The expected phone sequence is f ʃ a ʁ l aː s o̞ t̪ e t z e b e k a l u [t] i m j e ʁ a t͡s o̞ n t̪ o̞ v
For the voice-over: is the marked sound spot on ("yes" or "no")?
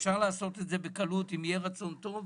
yes